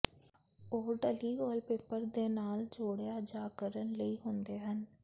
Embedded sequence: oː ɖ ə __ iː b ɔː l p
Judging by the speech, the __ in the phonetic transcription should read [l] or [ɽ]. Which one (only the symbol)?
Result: l